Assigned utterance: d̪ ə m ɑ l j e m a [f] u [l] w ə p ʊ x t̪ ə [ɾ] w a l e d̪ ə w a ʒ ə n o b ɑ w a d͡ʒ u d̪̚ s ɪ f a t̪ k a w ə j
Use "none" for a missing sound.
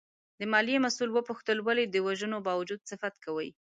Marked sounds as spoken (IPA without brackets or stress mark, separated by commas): s, l, l